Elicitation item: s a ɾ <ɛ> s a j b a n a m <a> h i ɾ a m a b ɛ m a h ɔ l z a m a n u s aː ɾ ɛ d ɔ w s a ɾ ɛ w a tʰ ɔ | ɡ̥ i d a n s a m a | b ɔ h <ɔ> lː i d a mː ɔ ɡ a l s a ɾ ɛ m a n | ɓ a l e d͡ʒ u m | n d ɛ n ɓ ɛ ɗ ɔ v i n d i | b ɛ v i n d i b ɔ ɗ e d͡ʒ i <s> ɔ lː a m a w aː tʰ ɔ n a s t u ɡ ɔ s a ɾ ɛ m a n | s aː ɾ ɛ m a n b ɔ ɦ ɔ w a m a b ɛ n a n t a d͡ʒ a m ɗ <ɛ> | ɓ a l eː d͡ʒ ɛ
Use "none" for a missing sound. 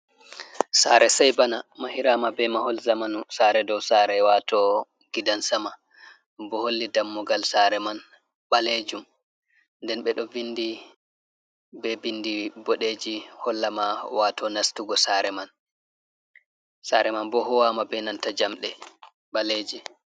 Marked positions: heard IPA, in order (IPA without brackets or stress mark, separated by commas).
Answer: ɛ, a, o, h, ɛ